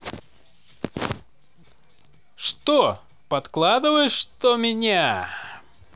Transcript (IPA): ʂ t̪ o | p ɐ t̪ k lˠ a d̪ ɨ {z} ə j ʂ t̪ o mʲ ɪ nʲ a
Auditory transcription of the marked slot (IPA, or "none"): v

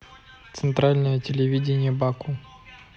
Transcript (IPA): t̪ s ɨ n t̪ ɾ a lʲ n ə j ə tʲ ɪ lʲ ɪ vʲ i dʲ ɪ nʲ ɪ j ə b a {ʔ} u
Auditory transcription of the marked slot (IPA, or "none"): k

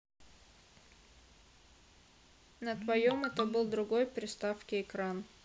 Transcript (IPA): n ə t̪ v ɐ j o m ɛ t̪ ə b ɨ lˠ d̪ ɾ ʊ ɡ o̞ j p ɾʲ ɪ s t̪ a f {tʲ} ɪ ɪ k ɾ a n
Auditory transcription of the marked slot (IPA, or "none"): kʲ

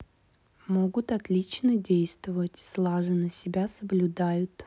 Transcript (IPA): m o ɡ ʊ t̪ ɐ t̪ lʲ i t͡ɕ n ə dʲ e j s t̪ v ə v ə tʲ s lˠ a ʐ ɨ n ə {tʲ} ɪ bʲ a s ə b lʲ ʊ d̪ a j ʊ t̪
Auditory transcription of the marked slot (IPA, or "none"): sʲ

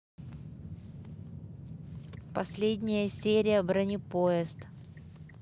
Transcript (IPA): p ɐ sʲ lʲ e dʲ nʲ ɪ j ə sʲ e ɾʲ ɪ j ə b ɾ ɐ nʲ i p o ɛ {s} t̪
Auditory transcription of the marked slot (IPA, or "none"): s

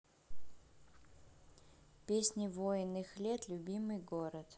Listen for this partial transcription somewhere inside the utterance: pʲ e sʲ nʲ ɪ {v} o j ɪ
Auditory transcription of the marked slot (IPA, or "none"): v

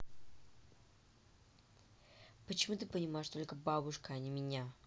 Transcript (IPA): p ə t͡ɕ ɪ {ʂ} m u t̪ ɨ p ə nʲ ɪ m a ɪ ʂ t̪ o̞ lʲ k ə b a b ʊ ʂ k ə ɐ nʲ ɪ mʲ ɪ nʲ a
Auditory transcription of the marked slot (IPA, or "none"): none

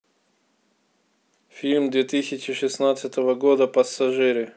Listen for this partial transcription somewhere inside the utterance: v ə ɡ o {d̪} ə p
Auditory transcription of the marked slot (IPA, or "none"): d̪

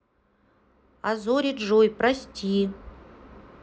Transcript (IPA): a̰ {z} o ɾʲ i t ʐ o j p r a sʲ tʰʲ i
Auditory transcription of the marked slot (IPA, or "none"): z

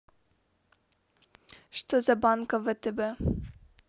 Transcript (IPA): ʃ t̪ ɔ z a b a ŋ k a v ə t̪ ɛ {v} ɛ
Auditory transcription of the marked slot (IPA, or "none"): b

